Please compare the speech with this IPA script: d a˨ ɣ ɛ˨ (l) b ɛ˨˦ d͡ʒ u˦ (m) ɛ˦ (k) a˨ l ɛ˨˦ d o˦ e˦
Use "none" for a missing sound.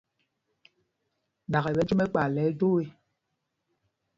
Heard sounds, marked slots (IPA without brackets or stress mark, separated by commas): none, m, k͡p